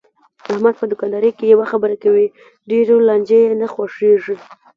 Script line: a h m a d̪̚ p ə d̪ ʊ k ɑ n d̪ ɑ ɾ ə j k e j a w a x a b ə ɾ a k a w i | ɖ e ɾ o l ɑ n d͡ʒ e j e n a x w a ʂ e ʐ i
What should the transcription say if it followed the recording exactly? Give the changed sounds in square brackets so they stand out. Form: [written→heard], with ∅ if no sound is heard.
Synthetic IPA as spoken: a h m a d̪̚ p ə d̪ ʊ k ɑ n d̪ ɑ ɾ ə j k e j a w a x a b ə ɾ a k a w i | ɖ e ɾ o l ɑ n d͡ʒ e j e n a x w a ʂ e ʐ i